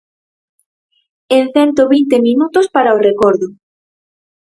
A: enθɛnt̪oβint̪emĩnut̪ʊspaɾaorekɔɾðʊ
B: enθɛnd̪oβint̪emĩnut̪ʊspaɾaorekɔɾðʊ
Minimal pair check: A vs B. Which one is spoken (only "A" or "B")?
A